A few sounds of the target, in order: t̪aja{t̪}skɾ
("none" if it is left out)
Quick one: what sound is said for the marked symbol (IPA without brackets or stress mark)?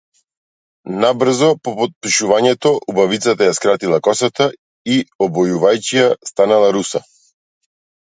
none